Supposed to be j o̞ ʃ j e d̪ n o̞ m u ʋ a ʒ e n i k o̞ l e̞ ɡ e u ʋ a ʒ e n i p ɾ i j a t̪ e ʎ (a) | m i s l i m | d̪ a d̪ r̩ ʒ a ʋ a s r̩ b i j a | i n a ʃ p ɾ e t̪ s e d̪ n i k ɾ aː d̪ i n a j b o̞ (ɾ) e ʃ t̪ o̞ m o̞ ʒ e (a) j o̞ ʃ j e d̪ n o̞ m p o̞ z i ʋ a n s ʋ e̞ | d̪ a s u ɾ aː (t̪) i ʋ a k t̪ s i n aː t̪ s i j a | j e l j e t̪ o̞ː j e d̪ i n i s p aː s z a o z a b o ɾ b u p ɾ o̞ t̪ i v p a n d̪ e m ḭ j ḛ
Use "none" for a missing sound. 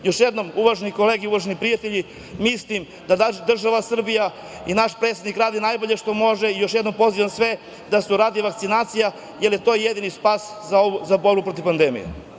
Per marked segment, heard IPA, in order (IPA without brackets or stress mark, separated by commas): i, ʎ, i, d̪